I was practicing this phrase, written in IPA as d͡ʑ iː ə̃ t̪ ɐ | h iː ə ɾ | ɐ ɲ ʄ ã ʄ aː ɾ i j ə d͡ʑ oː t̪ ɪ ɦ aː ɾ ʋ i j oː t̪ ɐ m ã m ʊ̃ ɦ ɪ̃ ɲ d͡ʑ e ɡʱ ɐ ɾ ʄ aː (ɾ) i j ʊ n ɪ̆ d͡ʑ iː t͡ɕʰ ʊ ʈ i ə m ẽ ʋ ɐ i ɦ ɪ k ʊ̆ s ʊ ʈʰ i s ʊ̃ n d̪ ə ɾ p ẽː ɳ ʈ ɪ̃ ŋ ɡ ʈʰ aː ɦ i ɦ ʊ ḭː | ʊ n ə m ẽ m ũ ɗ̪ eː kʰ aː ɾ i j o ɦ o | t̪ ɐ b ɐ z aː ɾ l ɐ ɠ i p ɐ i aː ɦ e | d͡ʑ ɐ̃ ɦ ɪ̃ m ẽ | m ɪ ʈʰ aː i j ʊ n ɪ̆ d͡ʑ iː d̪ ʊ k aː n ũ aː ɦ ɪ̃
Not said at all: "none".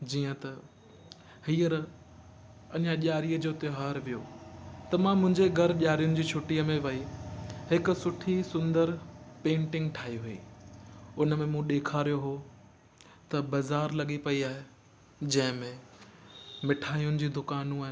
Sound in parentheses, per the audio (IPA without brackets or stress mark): ɾ